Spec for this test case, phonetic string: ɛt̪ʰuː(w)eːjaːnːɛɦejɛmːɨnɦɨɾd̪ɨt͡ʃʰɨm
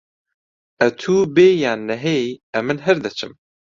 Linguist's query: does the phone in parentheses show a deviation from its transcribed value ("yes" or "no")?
yes